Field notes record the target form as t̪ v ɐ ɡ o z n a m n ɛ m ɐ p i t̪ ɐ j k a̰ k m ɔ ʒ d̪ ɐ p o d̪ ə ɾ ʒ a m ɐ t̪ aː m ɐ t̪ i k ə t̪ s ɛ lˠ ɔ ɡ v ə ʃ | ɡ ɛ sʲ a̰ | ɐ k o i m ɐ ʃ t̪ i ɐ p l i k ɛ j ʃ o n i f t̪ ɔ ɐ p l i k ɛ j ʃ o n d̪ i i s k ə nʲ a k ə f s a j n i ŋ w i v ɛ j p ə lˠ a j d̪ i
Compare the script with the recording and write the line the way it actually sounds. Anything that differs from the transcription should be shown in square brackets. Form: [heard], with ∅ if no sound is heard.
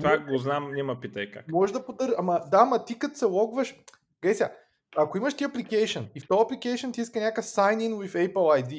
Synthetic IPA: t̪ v [a] ɡ o z n a m n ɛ m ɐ p i t̪ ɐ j k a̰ k m ɔ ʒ d̪ ɐ p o d̪ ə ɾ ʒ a m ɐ [d̪] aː m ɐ t̪ i k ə t̪ s ɛ lˠ ɔ ɡ v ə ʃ | ɡ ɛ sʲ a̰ | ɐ k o i m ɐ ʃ t̪ i ɐ p l i k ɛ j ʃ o n i f t̪ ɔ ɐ p l i k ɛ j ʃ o n [t̪] i i s k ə nʲ a k ə f s a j n i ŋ w i [f] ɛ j p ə lˠ a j d̪ i